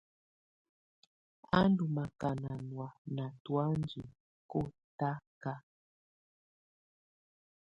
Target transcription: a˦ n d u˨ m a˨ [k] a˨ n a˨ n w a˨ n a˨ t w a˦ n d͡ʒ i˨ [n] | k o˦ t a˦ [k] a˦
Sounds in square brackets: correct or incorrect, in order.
correct, incorrect: none, correct

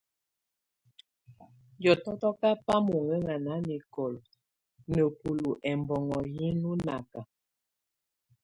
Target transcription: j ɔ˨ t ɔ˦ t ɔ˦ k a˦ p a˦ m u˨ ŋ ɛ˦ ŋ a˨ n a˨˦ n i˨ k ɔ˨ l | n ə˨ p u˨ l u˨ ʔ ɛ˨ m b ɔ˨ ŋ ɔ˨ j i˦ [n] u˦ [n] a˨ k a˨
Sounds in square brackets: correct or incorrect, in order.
correct, correct

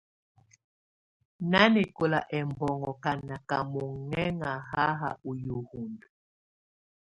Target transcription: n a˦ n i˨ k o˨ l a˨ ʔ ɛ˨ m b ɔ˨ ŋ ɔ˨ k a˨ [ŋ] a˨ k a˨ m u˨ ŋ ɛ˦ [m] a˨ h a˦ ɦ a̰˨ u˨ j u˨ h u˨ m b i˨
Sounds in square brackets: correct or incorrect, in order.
incorrect: n, incorrect: ŋ

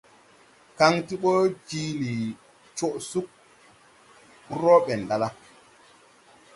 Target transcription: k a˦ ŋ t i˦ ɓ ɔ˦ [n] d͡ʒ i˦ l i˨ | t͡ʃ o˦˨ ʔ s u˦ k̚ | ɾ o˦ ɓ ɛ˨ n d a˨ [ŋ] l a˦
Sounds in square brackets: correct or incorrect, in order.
incorrect: none, incorrect: none

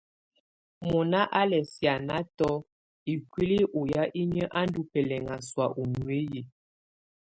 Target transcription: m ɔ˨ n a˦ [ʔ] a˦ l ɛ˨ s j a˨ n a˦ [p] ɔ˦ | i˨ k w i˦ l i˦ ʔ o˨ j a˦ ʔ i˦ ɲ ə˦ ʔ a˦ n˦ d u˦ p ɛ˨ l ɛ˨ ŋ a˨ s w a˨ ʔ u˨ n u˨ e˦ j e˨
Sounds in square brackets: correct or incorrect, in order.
correct, incorrect: t

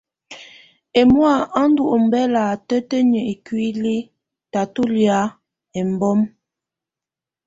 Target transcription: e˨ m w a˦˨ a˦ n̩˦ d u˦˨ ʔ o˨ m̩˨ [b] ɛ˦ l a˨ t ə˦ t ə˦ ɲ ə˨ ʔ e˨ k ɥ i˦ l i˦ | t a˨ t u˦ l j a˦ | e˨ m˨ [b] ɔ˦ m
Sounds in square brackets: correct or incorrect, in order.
correct, correct

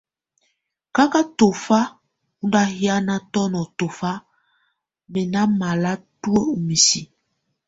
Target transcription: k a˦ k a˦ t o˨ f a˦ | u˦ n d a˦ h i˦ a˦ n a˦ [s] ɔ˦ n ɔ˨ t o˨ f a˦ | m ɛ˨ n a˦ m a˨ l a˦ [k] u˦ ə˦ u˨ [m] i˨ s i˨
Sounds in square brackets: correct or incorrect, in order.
incorrect: t, incorrect: t, correct

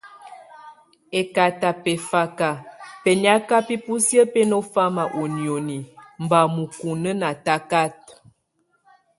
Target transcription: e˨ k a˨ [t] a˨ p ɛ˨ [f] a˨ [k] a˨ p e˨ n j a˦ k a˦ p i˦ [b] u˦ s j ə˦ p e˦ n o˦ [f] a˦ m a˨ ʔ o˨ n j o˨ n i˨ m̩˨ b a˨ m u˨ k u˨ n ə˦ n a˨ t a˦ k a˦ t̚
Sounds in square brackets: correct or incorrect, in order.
correct, correct, correct, incorrect: p, correct

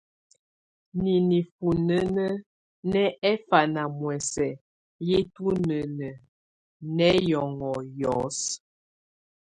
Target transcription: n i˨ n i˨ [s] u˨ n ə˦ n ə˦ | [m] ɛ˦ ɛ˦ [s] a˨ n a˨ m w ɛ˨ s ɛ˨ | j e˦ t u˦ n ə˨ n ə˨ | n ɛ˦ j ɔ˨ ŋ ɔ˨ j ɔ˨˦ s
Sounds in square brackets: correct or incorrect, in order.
incorrect: f, incorrect: n, incorrect: f

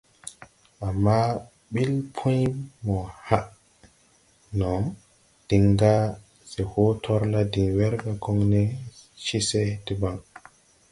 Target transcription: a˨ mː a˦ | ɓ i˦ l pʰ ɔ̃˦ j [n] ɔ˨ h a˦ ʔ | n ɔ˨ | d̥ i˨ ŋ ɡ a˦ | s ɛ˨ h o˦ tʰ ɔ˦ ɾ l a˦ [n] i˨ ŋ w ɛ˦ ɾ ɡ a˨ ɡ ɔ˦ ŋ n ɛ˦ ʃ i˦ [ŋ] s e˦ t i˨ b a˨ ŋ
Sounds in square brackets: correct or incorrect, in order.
incorrect: m, incorrect: d, incorrect: none

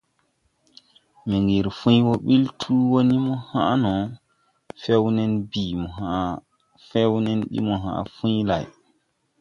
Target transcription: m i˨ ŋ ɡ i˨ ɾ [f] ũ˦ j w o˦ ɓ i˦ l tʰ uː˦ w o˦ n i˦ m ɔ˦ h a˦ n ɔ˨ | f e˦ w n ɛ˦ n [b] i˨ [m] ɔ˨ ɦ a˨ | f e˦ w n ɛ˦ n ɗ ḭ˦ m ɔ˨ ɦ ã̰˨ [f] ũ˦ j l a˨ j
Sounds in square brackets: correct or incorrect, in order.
correct, correct, correct, correct

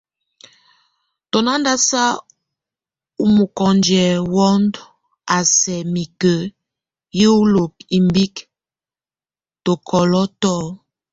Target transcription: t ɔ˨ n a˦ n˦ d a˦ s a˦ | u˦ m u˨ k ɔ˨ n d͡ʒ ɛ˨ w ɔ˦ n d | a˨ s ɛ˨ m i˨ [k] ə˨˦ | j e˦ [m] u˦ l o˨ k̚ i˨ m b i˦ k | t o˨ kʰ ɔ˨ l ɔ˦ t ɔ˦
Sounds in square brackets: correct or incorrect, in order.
correct, incorrect: none

